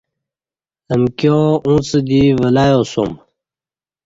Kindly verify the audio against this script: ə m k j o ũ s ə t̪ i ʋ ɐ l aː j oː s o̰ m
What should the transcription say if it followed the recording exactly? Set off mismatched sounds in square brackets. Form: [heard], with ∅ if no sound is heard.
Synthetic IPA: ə m k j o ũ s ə [d̪] i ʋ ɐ l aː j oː s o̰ m